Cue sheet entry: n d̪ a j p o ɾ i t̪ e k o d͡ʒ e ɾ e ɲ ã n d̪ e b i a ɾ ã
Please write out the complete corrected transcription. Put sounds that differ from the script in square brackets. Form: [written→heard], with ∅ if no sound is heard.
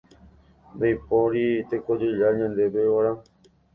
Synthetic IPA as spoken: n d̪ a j p o ɾ i t̪ e k o d͡ʒ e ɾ [e→a] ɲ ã n d̪ e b [i→e] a ɾ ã